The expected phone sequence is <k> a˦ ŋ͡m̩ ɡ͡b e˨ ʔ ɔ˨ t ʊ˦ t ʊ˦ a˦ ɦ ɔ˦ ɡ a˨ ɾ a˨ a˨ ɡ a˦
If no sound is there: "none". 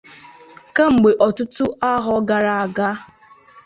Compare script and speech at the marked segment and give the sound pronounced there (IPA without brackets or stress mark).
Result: k